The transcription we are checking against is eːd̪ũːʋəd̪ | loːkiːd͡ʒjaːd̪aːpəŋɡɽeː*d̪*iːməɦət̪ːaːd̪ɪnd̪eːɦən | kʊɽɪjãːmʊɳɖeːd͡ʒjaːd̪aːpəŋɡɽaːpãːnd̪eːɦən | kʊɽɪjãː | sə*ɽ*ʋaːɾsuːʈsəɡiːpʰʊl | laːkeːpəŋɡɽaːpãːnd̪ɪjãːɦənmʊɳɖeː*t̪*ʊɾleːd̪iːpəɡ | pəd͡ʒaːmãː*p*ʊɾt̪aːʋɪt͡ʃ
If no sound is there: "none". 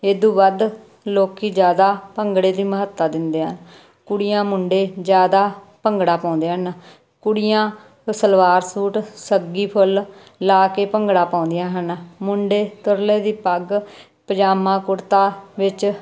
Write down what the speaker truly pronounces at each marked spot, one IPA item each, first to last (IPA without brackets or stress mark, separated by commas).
d̪, l, t̪, k